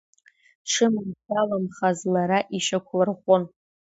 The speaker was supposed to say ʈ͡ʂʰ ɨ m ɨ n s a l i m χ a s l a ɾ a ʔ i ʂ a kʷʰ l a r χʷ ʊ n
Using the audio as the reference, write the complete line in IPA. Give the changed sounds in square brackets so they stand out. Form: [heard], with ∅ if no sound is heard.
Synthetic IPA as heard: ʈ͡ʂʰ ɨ m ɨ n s a l [a] m χ a [z] l a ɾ a ʔ i [ʃ] a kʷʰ l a r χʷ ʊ n